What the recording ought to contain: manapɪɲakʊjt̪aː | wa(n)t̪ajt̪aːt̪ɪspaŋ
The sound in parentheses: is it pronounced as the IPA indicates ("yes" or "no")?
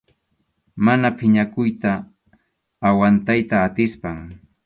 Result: yes